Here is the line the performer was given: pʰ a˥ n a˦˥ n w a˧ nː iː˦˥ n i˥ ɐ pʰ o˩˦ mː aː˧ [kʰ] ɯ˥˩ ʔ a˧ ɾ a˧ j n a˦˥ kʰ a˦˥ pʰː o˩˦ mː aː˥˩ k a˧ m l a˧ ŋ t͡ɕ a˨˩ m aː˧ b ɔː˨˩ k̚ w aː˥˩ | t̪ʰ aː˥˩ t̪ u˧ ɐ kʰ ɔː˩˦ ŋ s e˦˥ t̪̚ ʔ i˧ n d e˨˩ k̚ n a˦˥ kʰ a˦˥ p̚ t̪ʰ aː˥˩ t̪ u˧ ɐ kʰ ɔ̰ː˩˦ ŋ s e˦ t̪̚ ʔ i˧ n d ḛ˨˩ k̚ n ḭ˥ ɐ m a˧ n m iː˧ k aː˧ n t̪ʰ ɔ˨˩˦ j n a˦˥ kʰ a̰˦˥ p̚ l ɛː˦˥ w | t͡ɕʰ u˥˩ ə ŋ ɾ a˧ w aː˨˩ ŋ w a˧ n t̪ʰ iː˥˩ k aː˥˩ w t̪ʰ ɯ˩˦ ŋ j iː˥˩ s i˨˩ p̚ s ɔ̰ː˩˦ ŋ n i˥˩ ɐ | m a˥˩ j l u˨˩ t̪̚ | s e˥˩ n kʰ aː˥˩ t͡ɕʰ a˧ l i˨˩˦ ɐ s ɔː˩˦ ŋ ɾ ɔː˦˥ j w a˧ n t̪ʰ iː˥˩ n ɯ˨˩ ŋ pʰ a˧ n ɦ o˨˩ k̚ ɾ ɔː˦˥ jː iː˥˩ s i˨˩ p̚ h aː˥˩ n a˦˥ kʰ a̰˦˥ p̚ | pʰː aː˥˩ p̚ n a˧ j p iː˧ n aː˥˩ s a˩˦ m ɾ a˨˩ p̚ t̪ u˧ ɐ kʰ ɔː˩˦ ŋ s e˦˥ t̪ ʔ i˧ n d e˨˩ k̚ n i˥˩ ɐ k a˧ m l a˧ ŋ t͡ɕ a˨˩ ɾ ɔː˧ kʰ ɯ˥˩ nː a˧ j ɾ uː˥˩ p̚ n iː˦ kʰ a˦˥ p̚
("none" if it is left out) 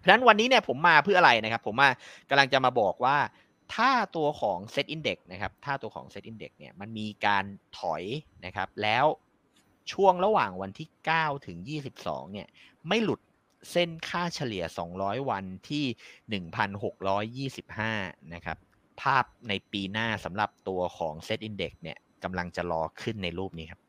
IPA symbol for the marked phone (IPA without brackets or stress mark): pʰ